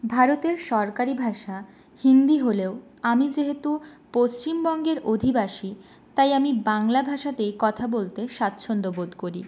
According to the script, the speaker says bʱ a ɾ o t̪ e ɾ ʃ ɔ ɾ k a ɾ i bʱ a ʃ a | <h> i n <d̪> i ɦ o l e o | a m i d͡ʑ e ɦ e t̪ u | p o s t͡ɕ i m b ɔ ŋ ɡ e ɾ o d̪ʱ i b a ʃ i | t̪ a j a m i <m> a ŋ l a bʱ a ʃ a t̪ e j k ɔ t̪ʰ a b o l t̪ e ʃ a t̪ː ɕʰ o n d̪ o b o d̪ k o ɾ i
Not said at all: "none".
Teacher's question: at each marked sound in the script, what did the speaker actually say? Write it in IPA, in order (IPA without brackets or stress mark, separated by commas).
h, d̪, b